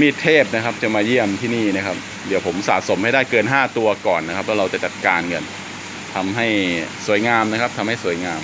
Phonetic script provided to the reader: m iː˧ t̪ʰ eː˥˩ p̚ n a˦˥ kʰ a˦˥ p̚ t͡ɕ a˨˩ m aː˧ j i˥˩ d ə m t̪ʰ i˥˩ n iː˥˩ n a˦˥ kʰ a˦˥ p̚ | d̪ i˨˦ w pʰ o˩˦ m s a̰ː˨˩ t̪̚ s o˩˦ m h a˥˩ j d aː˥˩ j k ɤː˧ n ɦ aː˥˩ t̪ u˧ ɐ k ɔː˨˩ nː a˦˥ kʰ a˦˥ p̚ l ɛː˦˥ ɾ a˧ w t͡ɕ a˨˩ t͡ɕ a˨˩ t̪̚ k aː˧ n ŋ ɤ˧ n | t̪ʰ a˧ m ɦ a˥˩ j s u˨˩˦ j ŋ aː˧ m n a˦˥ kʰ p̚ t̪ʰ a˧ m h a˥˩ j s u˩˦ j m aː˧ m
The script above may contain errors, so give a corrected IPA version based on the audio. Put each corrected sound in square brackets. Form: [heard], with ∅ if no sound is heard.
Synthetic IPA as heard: m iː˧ t̪ʰ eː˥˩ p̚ n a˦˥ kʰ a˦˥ p̚ t͡ɕ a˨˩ m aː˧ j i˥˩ [∅] ə m t̪ʰ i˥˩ n iː˥˩ n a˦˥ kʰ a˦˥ p̚ | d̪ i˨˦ w pʰ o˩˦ m s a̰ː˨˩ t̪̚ s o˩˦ m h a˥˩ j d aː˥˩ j k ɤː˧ n ɦ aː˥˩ t̪ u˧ ɐ k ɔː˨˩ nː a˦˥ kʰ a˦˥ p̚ l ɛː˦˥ ɾ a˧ w t͡ɕ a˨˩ t͡ɕ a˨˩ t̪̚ k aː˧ n ŋ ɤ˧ n | t̪ʰ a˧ m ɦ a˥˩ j s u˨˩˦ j ŋ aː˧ m n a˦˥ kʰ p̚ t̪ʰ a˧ m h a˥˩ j s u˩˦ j [ŋ] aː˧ m